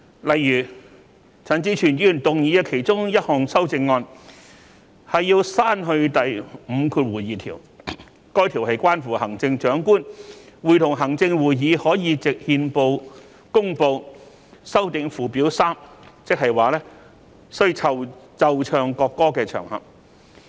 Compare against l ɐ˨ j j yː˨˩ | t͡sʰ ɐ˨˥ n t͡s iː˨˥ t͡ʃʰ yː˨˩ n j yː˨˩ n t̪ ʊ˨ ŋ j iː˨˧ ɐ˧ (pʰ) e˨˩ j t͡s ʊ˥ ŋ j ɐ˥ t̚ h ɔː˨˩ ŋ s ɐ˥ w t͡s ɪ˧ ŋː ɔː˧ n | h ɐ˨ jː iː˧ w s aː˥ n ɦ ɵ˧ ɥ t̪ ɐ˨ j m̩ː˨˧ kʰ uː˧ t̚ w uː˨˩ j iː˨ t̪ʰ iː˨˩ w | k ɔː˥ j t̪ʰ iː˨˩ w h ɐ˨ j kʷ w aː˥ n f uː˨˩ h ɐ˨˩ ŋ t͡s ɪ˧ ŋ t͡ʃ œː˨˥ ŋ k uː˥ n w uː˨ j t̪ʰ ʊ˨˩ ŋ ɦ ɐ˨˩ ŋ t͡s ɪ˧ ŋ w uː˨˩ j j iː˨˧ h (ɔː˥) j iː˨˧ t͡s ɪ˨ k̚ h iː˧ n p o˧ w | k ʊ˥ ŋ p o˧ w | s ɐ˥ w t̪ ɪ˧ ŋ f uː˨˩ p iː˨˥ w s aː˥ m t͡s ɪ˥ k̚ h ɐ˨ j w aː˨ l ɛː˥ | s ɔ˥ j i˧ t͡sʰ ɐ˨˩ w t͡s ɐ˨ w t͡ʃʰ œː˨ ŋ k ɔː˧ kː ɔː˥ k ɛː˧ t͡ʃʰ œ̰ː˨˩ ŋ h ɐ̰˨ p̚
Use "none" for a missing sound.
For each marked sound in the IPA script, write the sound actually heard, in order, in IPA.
kʰ, ɔː˨˥

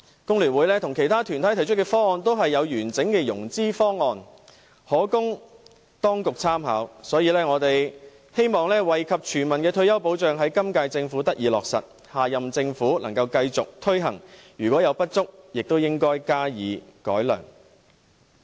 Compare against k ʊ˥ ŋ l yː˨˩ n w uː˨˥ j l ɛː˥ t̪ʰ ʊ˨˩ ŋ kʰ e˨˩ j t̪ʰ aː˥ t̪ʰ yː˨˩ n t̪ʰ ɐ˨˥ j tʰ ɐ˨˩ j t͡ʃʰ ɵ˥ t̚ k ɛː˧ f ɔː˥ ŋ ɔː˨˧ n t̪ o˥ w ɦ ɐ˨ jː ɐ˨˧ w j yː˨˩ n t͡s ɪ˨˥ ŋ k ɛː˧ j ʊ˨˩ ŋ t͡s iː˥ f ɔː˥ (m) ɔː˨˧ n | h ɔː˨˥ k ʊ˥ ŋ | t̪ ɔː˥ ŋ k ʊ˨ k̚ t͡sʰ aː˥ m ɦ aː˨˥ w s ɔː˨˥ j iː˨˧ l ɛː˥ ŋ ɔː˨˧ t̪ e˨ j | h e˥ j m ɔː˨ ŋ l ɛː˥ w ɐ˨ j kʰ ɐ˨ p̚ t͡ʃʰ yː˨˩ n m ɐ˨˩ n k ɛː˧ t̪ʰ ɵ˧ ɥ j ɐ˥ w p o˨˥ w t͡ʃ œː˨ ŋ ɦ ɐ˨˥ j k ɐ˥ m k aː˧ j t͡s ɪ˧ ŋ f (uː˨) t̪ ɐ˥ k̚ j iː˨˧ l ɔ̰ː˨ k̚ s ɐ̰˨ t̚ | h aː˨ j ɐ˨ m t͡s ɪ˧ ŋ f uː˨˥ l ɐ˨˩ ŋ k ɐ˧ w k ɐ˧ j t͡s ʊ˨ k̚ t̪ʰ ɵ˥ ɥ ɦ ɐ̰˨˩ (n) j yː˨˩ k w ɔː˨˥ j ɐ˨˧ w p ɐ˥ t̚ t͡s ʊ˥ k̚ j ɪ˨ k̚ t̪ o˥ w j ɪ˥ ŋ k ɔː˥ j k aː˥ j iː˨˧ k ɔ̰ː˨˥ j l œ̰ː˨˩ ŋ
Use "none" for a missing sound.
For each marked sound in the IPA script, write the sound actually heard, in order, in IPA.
ŋ, uː˨˥, ŋ

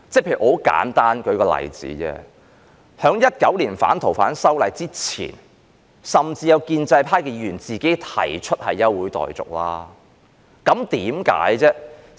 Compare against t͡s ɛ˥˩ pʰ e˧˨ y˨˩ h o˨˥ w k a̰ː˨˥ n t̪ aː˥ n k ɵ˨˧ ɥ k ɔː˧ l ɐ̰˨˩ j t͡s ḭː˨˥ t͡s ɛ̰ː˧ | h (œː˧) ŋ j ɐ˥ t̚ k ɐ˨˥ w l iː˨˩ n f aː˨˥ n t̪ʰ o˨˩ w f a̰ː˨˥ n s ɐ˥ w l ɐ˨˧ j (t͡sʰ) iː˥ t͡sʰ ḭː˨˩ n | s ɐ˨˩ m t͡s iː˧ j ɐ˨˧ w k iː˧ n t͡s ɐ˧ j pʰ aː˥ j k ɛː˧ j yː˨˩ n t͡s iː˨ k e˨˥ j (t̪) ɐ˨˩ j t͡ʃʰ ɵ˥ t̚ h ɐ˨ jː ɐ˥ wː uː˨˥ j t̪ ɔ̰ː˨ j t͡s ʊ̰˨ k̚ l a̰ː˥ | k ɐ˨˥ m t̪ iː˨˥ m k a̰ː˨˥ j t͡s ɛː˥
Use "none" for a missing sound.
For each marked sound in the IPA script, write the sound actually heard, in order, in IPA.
œː˨˥, t͡s, t̪ʰ

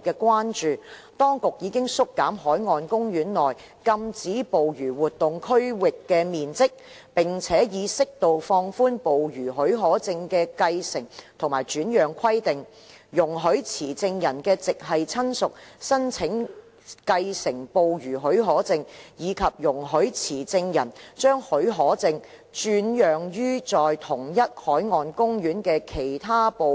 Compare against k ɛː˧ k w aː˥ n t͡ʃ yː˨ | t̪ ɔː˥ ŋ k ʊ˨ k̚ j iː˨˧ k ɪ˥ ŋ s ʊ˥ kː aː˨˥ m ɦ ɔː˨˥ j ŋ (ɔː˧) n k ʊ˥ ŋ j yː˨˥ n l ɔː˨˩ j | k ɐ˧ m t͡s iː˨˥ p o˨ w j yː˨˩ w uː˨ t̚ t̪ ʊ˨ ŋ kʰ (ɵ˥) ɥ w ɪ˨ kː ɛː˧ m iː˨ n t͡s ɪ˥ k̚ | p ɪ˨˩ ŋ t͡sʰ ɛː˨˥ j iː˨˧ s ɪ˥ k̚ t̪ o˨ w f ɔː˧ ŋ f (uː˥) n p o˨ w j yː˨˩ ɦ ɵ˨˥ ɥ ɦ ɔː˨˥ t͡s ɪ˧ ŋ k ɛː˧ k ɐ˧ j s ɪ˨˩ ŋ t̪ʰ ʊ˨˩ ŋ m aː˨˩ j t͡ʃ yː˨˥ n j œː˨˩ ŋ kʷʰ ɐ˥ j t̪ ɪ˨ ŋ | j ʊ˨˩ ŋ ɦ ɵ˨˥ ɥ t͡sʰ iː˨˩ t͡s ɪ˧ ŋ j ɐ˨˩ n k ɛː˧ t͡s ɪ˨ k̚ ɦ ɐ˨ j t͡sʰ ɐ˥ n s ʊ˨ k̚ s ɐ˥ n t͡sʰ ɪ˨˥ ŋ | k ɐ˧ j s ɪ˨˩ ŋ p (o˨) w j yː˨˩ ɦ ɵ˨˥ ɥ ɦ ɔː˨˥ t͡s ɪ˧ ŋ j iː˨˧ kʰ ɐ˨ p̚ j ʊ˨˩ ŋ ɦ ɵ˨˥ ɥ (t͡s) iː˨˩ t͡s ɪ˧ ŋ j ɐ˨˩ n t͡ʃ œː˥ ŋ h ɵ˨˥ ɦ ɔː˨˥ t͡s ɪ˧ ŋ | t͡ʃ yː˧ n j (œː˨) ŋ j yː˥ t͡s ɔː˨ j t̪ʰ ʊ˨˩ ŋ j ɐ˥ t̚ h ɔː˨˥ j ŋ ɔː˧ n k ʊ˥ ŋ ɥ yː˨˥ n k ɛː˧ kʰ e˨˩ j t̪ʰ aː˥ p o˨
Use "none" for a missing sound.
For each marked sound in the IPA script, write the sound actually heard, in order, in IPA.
ɔː˧, ɵ˥, uː˥, o˨, t͡sʰ, œː˨

